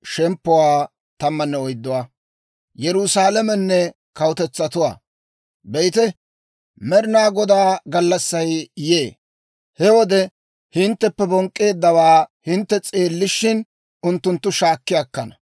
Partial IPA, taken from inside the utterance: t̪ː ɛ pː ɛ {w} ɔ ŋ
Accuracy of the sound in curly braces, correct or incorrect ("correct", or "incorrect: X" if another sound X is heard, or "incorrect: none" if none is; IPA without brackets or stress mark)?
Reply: incorrect: b